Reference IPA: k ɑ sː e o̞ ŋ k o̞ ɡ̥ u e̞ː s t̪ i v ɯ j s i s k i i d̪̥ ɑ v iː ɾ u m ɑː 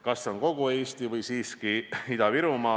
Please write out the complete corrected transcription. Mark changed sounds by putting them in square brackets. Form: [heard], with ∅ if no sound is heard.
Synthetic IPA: k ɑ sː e o̞ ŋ k o̞ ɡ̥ u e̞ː s t̪ i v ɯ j s [iː] s k i i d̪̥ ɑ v [i] ɾ u m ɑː